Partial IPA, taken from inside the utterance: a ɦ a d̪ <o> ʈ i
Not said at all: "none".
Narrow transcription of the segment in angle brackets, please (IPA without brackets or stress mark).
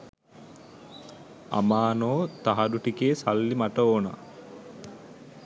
u